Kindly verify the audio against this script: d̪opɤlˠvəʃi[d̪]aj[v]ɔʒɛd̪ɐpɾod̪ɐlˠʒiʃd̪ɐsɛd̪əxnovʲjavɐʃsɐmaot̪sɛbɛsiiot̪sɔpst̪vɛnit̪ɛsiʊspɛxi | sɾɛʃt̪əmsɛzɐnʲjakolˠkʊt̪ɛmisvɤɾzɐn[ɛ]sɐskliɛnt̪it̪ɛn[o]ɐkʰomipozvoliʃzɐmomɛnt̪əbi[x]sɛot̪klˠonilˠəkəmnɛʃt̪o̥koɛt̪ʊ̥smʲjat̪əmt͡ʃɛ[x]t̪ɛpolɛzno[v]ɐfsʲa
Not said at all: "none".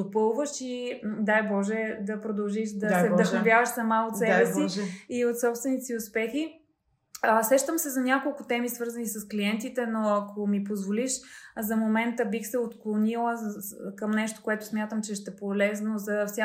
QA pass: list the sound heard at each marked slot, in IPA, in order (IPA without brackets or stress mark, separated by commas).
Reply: d̪, b, i, o, x, ʃ, z